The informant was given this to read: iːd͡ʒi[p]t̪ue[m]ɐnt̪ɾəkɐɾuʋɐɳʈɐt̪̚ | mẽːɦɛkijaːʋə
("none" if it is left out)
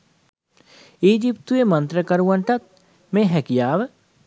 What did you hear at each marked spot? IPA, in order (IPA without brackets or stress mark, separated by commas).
p, m